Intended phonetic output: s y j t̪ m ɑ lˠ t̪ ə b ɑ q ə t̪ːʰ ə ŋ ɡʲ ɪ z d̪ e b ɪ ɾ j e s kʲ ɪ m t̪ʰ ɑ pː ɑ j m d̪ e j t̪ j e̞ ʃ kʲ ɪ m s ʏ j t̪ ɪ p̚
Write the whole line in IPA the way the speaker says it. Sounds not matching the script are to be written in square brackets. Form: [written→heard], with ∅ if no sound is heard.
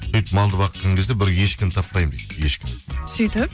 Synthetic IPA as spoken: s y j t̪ m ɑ lˠ [t̪→d̪] ə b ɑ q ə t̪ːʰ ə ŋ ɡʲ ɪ z d̪ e b ɪ ɾ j e [s→ʃ] kʲ ɪ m t̪ʰ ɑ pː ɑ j m d̪ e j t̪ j e̞ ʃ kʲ ɪ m s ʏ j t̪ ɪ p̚